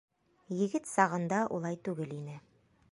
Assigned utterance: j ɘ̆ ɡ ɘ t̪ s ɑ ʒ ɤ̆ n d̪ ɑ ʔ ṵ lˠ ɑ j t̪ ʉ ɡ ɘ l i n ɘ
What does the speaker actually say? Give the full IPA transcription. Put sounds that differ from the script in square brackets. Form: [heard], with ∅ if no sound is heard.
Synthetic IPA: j ɘ̆ ɡ ɘ t̪ s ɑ [ʁ] ɤ̆ n d̪ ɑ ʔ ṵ lˠ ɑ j t̪ ʉ ɡ ɘ l i n ɘ